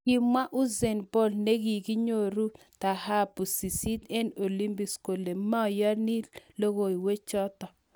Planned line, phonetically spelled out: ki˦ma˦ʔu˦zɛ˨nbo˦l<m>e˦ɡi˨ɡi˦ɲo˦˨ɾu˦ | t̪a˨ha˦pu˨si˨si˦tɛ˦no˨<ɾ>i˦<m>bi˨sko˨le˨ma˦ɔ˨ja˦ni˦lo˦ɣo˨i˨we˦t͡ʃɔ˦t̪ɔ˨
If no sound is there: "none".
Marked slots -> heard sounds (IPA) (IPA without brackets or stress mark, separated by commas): n, l, m